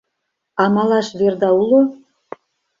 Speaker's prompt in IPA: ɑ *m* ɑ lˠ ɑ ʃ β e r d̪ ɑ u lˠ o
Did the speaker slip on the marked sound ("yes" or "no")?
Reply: no